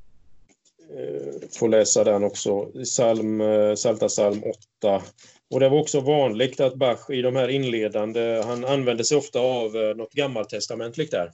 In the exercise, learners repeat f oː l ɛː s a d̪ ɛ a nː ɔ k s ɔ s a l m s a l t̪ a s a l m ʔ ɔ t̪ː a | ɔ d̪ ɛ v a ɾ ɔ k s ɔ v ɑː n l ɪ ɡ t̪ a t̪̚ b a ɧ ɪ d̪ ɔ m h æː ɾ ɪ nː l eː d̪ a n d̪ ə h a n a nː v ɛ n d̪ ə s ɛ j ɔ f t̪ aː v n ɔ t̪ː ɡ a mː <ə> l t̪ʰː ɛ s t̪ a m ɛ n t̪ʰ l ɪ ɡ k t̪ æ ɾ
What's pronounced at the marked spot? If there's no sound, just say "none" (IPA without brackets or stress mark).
a